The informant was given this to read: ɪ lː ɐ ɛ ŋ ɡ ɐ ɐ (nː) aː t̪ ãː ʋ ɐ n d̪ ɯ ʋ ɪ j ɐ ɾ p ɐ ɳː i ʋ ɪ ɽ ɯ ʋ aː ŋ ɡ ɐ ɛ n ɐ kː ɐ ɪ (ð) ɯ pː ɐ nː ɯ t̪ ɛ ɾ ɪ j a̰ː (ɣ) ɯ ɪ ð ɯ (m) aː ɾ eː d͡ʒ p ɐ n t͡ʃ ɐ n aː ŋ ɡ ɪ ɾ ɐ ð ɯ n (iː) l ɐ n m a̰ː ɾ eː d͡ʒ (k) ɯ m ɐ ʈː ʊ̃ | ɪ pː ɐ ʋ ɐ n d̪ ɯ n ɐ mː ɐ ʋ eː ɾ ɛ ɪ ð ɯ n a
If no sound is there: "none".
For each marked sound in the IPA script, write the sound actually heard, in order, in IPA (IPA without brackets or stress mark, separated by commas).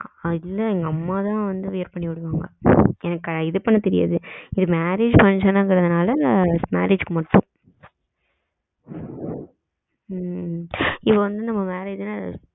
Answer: mː, ð, ð, m, aː, k